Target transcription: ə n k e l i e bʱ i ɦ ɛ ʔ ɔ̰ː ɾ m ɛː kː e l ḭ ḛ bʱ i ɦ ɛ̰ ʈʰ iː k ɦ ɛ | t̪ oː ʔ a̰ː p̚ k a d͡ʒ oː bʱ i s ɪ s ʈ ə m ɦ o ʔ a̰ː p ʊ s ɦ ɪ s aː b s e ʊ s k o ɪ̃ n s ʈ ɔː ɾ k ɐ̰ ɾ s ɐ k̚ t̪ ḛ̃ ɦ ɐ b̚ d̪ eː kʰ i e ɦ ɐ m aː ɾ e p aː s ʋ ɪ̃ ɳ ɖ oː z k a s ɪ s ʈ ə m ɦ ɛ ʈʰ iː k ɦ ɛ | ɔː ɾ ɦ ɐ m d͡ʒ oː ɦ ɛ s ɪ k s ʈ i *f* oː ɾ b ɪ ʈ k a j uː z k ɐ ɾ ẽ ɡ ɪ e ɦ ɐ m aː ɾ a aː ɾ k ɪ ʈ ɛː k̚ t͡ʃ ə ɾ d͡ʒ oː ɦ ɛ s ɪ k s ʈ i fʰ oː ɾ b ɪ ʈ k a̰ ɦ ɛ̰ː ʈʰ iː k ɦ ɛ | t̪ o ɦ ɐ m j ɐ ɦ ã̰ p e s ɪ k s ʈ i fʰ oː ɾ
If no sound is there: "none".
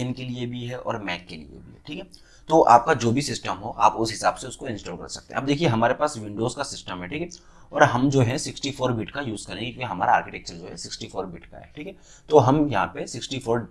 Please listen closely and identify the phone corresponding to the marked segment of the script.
f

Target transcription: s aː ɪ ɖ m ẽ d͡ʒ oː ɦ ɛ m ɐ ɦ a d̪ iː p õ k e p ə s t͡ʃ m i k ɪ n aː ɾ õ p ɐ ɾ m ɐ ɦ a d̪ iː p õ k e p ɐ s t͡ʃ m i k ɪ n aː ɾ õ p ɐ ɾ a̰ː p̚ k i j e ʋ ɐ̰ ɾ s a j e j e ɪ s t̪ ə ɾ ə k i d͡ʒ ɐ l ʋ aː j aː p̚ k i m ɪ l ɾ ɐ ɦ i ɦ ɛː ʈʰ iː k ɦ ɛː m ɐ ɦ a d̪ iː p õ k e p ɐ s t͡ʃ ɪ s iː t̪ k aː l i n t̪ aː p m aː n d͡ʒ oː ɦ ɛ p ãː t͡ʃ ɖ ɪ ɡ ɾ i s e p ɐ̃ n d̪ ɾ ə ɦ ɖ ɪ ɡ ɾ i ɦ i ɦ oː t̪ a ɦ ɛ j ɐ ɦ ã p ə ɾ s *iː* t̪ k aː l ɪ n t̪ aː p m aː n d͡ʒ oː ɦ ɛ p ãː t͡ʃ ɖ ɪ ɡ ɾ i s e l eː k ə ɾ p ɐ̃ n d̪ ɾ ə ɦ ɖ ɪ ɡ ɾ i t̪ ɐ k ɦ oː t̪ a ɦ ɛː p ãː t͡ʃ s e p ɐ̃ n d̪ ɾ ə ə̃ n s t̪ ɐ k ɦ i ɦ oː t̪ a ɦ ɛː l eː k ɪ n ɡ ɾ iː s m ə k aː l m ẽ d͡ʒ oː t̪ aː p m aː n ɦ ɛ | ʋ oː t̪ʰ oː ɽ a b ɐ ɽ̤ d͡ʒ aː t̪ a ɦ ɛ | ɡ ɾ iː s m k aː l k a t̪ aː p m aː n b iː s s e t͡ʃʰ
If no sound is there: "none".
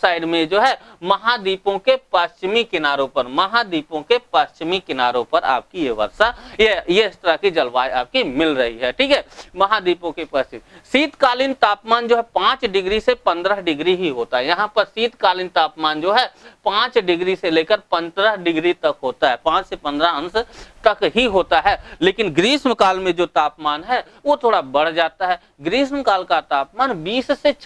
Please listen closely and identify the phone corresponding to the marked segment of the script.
iː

